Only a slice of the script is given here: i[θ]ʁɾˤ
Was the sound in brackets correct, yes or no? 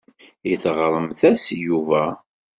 yes